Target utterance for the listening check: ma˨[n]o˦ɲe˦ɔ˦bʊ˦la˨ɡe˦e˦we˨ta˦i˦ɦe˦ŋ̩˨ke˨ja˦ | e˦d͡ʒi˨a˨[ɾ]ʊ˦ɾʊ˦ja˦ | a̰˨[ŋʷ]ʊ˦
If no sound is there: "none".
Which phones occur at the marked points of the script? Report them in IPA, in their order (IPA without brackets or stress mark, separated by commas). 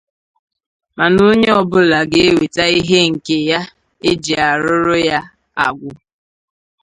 n, ɾ, ɡʷ